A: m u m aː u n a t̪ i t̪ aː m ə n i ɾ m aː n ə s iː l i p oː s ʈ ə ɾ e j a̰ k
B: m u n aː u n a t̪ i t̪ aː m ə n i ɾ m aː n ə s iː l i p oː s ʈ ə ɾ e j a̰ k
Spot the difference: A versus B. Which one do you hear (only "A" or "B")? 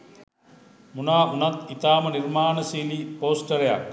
B